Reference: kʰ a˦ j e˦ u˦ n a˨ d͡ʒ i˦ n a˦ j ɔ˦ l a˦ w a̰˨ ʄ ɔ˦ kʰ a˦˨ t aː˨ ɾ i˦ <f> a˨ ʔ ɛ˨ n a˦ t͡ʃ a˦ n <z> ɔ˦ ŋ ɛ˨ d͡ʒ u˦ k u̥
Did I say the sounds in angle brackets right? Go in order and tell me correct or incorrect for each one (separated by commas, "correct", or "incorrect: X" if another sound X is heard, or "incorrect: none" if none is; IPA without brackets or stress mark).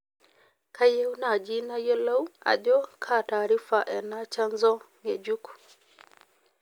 correct, correct